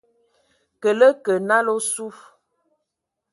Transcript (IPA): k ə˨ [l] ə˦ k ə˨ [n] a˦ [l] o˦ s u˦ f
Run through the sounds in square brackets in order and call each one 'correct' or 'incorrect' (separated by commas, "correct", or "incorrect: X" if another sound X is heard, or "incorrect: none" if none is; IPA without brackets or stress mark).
correct, correct, correct